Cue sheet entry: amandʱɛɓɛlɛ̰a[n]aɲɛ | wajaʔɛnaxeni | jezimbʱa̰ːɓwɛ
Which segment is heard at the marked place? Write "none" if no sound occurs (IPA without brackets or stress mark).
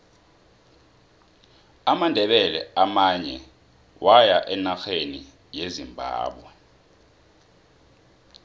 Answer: m